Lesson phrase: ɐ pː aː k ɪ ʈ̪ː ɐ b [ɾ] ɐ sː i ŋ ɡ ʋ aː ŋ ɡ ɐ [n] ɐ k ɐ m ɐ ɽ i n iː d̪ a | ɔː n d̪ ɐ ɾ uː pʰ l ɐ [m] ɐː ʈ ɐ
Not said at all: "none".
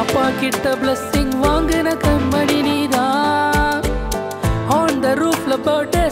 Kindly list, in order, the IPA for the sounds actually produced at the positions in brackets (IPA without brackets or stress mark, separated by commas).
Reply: l, n, b